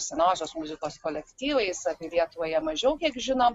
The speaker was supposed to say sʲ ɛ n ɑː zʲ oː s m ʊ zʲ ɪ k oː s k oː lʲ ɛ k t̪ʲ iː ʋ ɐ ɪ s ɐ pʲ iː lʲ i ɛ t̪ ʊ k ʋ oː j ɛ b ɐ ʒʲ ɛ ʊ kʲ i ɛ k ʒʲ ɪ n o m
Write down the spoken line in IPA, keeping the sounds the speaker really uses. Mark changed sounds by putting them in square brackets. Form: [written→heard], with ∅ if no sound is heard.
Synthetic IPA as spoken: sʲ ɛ n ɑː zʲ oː s m ʊ zʲ ɪ k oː s k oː lʲ ɛ k t̪ʲ iː ʋ ɐ ɪ s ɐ pʲ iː lʲ i ɛ t̪ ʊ [k→∅] ʋ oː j ɛ [b→m] ɐ ʒʲ ɛ ʊ kʲ i ɛ k ʒʲ ɪ n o m